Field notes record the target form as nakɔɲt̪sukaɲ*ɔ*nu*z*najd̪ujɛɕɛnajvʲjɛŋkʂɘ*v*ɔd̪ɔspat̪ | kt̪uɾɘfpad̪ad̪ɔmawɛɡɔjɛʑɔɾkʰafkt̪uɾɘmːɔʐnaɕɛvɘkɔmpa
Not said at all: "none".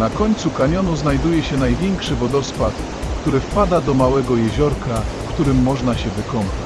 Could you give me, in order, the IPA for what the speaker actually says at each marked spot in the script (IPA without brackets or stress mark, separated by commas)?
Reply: ɔ, z, v